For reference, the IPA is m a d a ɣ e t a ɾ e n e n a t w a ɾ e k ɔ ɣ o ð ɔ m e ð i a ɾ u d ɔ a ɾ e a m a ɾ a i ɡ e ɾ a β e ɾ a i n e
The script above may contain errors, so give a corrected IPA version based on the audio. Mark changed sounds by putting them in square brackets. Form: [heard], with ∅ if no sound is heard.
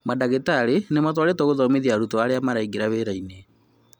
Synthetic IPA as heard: m a d a ɣ e t a ɾ e n e [m] a t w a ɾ e [t] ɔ ɣ o ð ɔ m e ð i a ɾ u [t] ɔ a ɾ e a m a ɾ a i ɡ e ɾ a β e ɾ a i n e